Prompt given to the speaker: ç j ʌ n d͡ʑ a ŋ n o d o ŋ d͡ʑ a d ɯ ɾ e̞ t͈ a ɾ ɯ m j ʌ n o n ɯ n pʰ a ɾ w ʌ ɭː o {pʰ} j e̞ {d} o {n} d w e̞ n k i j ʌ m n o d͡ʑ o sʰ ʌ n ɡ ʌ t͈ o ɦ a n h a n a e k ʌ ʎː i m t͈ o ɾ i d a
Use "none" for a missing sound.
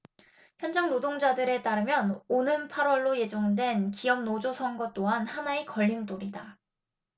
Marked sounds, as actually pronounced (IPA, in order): none, d͡ʑ, ŋ

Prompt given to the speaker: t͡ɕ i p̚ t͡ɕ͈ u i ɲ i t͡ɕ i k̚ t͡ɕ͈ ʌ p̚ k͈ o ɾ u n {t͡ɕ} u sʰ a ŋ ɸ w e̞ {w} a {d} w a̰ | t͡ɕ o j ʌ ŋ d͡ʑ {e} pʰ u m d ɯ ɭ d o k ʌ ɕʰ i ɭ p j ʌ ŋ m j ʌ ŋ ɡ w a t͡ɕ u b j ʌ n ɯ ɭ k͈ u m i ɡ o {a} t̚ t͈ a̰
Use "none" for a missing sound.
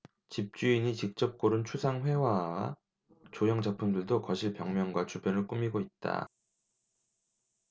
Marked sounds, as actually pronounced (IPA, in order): t͡ɕʰ, w, none, a, i

